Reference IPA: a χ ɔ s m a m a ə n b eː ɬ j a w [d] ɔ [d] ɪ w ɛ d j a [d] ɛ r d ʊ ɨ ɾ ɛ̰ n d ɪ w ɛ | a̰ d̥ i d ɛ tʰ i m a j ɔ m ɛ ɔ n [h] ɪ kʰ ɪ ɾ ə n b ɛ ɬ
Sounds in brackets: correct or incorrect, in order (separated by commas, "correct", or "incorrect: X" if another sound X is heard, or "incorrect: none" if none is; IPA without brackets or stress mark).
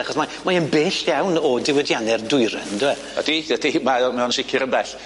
incorrect: n, correct, incorrect: n, incorrect: ʃ